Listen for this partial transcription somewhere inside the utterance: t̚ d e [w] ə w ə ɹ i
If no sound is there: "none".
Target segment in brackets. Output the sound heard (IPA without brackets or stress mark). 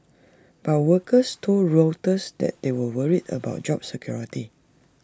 w